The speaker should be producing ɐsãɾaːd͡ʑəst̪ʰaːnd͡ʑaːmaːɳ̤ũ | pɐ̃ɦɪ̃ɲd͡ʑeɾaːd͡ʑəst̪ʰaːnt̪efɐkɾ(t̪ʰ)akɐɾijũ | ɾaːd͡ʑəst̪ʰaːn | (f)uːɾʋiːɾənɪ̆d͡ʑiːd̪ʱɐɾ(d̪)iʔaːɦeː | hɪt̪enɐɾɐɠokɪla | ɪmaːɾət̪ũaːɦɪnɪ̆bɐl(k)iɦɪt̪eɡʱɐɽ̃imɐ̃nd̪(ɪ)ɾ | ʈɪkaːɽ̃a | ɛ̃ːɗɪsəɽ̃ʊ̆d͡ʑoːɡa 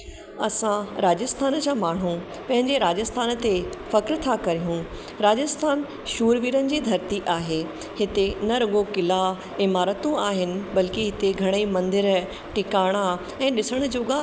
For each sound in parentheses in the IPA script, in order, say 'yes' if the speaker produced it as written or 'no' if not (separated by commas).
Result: yes, no, no, yes, yes